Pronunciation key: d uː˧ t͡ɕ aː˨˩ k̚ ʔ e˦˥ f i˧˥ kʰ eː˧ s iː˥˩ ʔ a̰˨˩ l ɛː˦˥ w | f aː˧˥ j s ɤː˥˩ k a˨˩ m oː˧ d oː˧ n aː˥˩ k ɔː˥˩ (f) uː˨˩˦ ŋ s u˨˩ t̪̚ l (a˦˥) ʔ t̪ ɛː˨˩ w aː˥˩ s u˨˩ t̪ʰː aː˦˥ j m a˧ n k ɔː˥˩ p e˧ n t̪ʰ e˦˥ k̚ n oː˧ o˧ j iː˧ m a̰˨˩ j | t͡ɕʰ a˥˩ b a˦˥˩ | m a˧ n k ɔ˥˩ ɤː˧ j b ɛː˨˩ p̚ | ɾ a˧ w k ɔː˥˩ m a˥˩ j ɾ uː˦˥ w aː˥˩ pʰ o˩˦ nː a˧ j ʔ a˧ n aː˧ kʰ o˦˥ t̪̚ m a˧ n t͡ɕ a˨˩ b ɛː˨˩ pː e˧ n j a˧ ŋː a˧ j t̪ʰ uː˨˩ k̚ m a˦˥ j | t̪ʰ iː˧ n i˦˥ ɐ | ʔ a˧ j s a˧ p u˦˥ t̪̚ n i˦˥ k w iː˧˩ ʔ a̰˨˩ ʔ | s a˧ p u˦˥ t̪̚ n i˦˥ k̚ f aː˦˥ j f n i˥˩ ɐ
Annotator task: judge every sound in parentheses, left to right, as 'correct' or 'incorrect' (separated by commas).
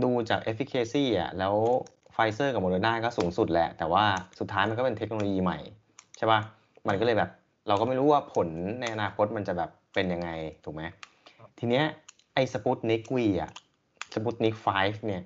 incorrect, incorrect